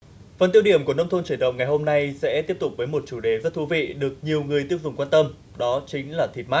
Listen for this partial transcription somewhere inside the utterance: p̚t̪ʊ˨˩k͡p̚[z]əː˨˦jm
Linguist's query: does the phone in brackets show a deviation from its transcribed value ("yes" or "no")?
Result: yes